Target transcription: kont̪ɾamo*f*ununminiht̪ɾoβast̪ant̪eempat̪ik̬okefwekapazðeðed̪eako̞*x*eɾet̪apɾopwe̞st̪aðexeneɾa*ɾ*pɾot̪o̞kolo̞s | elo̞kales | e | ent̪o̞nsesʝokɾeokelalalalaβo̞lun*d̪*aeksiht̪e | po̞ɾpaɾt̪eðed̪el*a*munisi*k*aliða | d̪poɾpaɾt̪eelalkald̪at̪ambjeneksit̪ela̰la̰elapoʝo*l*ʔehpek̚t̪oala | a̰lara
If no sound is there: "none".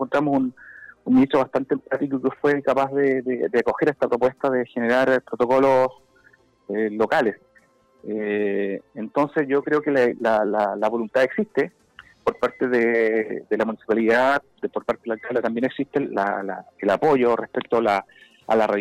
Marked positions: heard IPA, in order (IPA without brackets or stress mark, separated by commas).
s, x, ɾ, t̪, a, p, r